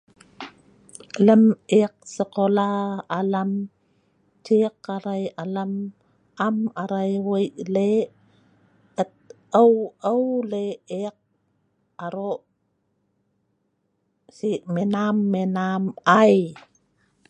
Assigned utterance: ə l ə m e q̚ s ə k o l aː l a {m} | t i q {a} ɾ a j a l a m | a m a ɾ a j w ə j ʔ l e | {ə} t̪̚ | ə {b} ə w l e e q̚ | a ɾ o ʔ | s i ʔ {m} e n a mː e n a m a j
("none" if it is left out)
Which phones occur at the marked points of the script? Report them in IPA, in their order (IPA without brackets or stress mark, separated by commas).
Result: m, a, ə, w, m